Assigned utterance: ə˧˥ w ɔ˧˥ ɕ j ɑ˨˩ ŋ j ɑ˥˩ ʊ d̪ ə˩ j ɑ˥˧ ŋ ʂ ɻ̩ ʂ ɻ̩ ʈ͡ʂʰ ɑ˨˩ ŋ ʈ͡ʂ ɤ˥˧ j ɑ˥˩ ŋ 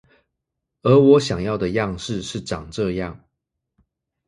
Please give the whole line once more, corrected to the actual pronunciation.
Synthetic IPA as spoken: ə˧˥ w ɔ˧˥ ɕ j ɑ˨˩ ŋ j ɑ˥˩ ʊ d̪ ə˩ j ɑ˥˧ ŋ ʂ ɻ̩ ʂ ɻ̩ ʈ͡ʂ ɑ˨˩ ŋ ʈ͡ʂ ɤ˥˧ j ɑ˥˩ ŋ